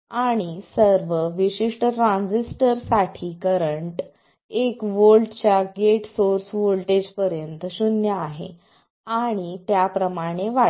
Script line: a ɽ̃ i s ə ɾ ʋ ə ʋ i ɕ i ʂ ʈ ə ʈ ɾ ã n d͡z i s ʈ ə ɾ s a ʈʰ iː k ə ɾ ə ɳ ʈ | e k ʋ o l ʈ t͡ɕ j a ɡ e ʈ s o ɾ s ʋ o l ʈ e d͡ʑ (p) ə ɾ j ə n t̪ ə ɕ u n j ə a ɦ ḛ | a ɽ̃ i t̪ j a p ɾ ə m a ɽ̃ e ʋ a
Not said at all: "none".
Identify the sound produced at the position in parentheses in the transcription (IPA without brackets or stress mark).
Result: p